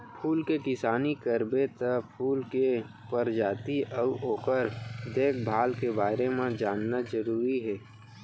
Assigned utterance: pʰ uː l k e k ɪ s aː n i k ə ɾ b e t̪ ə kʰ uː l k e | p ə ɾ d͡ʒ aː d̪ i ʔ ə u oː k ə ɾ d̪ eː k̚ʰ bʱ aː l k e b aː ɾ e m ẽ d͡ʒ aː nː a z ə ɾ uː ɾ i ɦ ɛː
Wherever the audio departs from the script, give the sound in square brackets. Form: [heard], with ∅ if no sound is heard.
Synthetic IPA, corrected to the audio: pʰ uː l k e k ɪ s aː n i k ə ɾ b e t̪ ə [pʰ] uː l k e | p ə ɾ d͡ʒ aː [t̪] i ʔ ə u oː k ə ɾ d̪ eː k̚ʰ bʱ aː l k e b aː ɾ e m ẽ d͡ʒ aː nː a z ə ɾ uː ɾ i ɦ ɛː